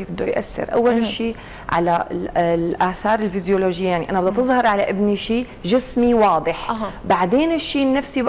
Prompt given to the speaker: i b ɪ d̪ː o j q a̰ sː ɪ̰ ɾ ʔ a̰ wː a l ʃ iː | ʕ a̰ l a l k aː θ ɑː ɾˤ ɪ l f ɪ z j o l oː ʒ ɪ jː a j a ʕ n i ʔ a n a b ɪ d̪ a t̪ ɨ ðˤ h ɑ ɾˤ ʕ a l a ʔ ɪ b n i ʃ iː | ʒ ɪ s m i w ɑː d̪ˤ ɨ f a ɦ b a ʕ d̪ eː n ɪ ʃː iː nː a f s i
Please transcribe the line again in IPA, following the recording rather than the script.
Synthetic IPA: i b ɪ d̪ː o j ʔ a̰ sː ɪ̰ ɾ ʔ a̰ wː a l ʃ iː | ʕ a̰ l a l ʔ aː θ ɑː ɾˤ ɪ l f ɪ z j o l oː ʒ ɪ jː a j a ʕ n i ʔ a n a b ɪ d̪ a t̪ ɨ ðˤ h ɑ ɾˤ ʕ a l a ʔ ɪ b n i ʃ iː | ʒ ɪ s m i w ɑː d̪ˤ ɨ ħ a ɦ b a ʕ d̪ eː n ɪ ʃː iː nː a f s i